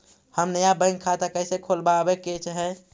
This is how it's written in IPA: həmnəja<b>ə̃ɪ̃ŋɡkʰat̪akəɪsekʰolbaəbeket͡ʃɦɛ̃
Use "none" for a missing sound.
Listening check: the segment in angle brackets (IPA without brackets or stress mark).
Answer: b